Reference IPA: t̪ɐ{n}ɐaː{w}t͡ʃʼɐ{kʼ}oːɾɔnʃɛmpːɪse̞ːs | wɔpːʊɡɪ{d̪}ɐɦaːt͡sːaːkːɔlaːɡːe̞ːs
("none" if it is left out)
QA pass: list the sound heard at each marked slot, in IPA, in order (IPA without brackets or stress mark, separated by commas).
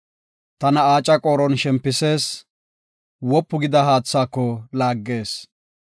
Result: n, none, kʼ, d̪